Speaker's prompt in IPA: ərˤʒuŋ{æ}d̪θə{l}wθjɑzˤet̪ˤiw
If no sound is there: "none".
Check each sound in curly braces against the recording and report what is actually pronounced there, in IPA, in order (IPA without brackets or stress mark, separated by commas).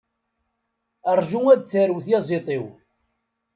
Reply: æ, ɾ